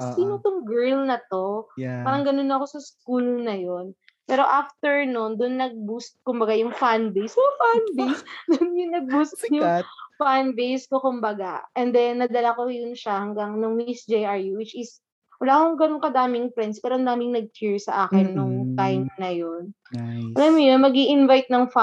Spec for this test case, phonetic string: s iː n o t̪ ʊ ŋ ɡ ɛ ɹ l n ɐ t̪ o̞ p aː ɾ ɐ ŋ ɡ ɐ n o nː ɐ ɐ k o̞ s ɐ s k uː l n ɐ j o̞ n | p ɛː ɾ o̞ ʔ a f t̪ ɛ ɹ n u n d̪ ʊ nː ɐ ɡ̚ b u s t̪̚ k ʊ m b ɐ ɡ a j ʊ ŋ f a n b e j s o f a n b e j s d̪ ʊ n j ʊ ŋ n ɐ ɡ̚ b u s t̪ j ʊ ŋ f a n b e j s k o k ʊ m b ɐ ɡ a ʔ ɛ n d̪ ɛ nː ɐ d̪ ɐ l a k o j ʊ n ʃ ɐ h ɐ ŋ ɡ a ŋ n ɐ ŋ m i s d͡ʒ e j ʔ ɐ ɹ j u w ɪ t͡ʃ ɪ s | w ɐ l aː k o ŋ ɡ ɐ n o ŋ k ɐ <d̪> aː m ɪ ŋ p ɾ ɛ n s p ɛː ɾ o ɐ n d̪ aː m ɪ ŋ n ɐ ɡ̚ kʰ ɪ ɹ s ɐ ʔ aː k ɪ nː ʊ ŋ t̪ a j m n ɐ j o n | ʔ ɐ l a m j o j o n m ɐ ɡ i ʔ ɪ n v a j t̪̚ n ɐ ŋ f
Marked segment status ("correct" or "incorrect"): correct